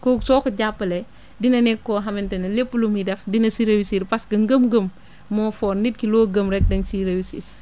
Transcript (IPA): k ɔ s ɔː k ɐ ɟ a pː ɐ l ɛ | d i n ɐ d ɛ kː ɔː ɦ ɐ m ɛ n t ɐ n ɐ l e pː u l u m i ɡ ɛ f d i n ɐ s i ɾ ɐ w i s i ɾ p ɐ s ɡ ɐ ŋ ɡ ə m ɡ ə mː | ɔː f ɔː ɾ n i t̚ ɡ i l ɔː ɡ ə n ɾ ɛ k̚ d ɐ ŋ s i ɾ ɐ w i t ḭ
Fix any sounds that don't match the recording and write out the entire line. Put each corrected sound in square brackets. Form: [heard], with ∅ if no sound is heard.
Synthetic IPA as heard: k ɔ s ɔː k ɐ ɟ a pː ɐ l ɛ | d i n ɐ [n] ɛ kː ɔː ɦ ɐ m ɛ n t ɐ n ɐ l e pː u l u m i [d] ɛ f d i n ɐ s i ɾ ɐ w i s i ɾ p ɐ s ɡ ɐ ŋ ɡ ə m ɡ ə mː | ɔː f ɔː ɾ n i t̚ [k] i l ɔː ɡ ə [m] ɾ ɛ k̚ d ɐ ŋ s i ɾ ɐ w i [s] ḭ